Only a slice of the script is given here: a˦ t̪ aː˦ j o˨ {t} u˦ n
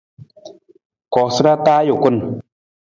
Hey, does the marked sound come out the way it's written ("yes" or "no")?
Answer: no